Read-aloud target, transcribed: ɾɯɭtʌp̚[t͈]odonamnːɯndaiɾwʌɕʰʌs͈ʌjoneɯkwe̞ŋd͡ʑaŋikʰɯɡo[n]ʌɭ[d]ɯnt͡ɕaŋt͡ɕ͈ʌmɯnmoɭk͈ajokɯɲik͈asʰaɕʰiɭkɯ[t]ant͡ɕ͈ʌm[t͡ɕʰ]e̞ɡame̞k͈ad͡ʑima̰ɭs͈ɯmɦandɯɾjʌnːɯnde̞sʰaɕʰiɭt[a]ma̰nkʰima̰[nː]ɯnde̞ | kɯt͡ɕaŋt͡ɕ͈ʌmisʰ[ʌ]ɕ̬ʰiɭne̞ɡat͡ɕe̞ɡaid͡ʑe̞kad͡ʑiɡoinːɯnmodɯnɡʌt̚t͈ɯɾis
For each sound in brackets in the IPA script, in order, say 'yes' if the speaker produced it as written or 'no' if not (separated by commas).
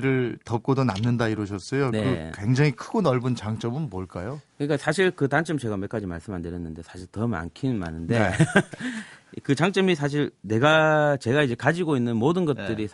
no, yes, no, yes, no, no, no, no